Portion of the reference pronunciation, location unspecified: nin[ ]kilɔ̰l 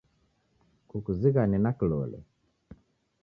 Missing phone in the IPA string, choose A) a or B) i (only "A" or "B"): A